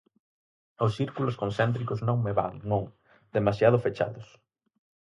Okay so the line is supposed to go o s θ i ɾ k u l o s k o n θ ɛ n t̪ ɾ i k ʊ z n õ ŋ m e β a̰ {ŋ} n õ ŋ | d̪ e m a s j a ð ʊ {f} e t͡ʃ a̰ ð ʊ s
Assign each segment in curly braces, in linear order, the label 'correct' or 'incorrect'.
correct, correct

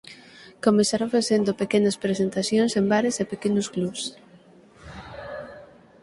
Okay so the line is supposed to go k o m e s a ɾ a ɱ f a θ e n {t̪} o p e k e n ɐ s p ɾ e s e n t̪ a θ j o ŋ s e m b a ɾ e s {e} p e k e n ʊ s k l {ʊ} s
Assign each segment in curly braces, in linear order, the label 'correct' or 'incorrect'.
incorrect: d̪, correct, incorrect: u

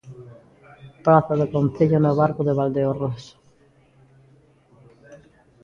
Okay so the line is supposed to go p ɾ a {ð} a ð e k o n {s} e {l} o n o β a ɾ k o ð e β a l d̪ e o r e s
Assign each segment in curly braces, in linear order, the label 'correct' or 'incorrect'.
incorrect: θ, incorrect: θ, incorrect: ʎ

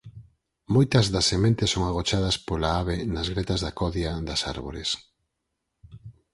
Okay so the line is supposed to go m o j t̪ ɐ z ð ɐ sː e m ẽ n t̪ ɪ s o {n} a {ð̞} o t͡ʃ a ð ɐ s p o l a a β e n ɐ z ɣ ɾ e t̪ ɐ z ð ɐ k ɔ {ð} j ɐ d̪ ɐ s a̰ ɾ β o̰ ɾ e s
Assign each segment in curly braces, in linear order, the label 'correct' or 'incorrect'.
incorrect: ŋ, incorrect: ɣ̞, correct

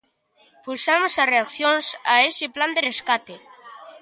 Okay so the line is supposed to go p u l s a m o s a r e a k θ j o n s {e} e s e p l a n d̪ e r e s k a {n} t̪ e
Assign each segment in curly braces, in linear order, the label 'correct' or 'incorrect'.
incorrect: a, incorrect: none

